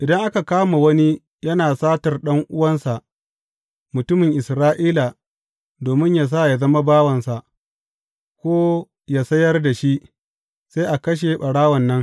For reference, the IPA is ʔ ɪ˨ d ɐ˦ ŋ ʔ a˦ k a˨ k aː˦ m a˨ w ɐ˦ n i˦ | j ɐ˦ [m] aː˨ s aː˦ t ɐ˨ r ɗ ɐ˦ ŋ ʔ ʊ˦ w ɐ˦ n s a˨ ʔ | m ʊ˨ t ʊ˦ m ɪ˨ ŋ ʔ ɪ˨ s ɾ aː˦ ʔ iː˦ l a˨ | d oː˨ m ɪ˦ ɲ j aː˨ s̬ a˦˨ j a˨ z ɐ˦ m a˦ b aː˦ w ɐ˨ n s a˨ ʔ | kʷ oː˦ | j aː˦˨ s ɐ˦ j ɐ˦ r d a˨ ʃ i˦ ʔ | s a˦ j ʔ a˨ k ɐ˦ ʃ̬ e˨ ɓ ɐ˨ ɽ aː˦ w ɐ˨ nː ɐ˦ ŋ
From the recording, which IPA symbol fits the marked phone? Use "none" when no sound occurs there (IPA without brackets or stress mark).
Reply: n